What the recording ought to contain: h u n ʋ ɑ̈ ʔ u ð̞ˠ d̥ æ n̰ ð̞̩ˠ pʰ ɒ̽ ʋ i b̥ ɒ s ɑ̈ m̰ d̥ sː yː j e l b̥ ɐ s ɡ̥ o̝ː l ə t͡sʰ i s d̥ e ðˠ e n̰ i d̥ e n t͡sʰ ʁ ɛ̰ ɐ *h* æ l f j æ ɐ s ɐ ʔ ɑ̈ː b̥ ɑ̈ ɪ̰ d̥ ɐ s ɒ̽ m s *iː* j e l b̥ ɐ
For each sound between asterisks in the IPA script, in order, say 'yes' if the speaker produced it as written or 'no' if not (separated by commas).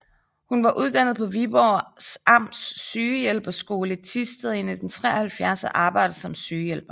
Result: yes, no